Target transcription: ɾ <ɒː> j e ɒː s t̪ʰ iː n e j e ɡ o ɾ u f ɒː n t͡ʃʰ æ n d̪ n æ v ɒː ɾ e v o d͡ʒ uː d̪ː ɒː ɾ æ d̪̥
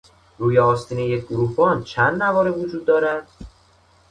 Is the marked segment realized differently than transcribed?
yes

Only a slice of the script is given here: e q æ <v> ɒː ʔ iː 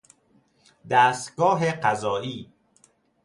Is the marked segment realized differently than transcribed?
yes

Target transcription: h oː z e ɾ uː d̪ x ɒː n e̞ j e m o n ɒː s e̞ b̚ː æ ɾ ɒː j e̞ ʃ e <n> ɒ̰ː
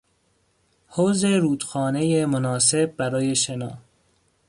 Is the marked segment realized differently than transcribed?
no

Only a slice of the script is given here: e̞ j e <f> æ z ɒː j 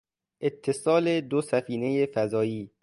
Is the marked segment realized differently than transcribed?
no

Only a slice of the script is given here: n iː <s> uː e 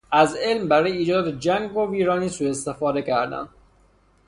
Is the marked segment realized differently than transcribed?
no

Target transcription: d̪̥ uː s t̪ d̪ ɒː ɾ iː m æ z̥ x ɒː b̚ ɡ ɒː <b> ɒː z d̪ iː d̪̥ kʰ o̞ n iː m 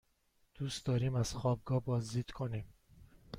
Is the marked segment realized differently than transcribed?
no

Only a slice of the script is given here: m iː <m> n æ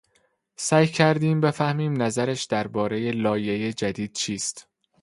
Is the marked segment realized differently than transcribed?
no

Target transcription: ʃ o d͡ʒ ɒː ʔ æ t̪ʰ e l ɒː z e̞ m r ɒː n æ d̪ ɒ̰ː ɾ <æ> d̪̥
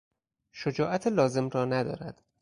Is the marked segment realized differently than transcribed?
no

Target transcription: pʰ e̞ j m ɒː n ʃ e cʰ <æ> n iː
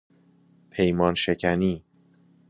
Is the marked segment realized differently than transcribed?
no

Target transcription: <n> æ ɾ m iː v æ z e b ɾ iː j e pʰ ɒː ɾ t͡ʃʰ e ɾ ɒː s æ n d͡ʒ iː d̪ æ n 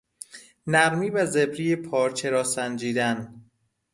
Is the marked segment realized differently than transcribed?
no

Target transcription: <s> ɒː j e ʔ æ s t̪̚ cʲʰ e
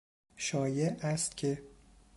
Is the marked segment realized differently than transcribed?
yes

